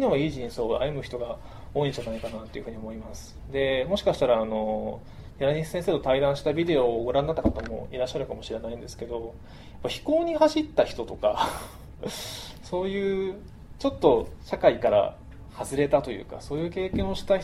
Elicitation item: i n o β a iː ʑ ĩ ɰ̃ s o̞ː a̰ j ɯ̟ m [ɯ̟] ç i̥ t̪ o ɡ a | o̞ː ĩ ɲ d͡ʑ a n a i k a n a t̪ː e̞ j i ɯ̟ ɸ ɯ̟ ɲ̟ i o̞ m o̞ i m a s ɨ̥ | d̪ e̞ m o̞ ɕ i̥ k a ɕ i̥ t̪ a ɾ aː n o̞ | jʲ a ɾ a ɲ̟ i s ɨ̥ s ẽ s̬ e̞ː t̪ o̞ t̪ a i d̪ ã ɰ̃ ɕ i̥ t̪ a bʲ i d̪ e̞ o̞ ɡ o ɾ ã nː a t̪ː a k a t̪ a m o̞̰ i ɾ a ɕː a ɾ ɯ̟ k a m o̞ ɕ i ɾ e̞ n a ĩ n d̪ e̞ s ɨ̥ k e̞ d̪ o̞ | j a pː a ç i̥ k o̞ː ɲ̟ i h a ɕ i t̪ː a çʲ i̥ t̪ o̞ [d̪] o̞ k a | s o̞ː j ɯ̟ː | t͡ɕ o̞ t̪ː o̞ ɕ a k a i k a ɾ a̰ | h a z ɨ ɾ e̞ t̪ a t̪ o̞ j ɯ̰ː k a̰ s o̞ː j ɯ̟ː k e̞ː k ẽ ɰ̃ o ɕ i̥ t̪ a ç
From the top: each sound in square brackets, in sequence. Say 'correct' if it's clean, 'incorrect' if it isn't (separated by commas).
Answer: correct, incorrect